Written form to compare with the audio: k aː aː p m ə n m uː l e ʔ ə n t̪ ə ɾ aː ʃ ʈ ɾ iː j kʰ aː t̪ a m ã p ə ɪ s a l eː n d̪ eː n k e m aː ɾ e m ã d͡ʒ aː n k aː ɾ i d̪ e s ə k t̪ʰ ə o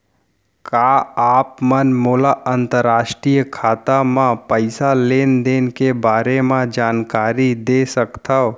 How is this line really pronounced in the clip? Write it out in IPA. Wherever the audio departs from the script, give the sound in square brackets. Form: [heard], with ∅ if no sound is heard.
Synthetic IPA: k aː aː p m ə n m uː l [a] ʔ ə n t̪ ə ɾ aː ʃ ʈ ɾ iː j kʰ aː t̪ a m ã p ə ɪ s a l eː n d̪ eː n k e [b] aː ɾ e m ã d͡ʒ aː n k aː ɾ i d̪ e s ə k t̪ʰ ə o